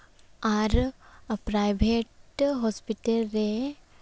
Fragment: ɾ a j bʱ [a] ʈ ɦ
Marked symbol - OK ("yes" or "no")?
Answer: no